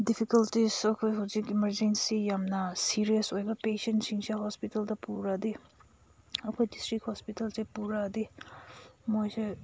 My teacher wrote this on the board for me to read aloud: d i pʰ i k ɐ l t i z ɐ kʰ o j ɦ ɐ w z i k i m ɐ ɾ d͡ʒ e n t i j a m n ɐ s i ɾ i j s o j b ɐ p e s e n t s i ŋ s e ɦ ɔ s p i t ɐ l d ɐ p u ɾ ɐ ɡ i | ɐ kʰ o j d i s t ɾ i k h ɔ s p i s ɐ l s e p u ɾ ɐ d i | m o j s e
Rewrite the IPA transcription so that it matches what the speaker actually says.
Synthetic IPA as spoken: d i pʰ i k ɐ l t i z ɐ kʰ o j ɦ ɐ w z i k i m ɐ ɾ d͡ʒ e n s i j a m n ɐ s i ɾ i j s o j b ɐ p e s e n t s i ŋ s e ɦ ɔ s p i t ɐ l d ɐ p u ɾ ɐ d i | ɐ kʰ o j d i s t ɾ i k h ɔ s p i t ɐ l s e p u ɾ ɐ d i | m o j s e